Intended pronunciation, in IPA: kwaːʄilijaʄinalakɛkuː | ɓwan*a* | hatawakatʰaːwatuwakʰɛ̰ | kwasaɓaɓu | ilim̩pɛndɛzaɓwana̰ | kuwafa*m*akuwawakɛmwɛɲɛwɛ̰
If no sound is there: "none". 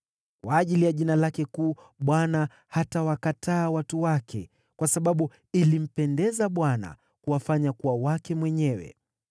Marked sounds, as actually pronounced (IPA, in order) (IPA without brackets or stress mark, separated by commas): a, ɲ